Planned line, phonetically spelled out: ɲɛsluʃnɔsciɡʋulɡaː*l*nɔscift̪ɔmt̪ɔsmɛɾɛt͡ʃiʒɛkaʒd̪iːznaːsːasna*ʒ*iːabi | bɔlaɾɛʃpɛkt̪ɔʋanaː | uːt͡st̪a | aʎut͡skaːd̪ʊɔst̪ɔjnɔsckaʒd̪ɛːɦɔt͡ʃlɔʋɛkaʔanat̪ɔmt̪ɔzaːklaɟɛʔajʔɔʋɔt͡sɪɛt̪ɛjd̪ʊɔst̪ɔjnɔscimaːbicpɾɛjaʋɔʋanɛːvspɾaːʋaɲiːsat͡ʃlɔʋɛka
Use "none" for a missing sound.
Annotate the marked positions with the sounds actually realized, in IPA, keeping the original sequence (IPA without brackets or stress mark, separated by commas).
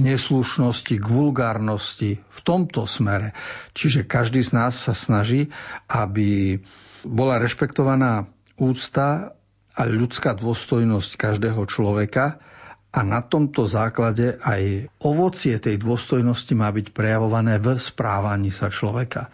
ɾ, ʒ